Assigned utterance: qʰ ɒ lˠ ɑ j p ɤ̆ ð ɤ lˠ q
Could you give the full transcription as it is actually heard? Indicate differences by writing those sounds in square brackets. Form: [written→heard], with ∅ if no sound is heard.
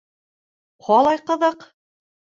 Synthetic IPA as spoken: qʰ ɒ lˠ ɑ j [p→q] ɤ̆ ð ɤ [lˠ→∅] q